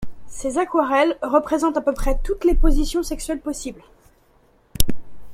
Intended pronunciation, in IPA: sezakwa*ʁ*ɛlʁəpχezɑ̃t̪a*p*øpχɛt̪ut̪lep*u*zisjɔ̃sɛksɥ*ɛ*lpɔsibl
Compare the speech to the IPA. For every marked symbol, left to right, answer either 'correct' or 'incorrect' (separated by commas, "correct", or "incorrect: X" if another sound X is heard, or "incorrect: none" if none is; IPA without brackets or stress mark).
correct, correct, incorrect: o, correct